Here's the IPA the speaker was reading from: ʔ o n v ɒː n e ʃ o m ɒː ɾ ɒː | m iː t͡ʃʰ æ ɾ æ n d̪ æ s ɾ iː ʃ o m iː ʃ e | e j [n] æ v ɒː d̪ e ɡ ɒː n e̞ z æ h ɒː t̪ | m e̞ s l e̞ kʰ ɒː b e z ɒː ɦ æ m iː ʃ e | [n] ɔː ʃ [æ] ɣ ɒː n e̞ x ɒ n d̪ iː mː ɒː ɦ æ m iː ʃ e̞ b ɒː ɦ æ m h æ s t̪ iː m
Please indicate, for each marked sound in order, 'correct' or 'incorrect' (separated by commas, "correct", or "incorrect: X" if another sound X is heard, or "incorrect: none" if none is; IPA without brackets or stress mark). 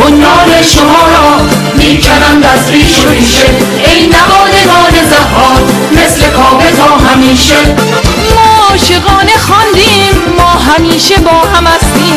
correct, incorrect: m, incorrect: e